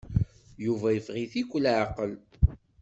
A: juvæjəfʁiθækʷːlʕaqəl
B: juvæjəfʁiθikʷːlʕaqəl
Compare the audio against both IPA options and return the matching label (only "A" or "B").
B